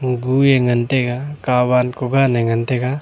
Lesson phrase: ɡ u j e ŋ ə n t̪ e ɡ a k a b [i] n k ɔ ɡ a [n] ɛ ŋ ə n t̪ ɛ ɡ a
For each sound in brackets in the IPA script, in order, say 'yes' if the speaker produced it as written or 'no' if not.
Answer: no, yes

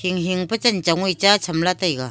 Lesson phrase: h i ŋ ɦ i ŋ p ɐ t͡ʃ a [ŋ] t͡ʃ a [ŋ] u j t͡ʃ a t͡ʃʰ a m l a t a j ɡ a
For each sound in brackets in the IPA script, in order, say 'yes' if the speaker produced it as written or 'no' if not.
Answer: no, yes

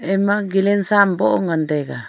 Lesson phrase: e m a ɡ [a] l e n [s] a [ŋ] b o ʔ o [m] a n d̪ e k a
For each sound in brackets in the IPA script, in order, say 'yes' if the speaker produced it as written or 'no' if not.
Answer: no, yes, no, no

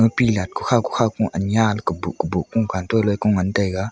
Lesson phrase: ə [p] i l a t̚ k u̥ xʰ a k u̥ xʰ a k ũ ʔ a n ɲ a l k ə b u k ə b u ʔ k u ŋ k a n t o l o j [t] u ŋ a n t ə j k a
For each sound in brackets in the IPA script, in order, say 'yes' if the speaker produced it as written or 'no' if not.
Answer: yes, no

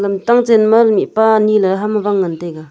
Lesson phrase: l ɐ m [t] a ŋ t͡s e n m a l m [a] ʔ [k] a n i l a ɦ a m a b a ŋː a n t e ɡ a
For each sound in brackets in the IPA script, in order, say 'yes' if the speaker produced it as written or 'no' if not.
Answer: yes, no, no

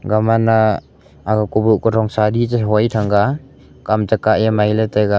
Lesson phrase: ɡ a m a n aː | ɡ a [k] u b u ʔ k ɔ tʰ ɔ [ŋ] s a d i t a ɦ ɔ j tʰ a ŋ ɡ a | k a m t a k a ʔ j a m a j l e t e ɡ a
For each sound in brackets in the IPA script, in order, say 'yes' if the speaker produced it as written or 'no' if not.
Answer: yes, yes

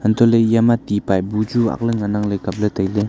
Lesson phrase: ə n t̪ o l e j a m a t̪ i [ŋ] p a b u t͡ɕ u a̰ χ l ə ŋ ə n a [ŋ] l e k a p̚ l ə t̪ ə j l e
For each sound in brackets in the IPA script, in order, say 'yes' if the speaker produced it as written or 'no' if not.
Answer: no, yes

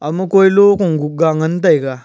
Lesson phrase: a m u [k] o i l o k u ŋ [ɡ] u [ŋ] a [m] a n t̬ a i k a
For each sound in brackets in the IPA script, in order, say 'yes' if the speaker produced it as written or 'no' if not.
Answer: yes, yes, no, no

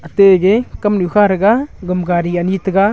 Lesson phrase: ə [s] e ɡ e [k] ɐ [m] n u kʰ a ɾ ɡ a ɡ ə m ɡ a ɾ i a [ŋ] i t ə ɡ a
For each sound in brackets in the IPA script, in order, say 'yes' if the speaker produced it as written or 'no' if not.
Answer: no, yes, yes, no

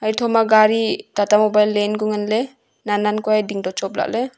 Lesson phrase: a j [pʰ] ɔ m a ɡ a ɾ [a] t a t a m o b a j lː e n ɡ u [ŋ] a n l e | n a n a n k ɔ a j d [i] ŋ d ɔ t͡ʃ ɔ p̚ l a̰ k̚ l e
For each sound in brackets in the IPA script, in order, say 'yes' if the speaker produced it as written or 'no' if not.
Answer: no, no, yes, yes

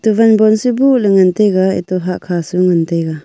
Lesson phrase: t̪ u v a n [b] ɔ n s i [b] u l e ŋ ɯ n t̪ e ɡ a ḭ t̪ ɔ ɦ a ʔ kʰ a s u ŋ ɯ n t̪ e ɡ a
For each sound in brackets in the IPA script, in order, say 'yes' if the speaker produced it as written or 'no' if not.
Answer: yes, yes

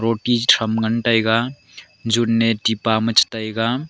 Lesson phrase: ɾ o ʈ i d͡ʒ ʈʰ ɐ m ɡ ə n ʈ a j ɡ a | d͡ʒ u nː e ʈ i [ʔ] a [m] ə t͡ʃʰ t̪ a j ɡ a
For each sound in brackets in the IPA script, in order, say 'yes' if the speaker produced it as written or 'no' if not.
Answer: no, yes

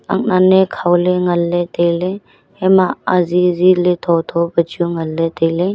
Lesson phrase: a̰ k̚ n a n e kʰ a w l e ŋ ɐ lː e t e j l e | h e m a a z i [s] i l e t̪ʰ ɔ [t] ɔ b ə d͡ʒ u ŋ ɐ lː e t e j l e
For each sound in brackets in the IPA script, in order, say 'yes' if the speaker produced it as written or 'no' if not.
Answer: no, no

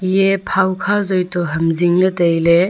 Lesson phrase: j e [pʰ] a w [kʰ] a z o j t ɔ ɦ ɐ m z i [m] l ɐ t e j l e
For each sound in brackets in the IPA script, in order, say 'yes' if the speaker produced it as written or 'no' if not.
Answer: yes, yes, no

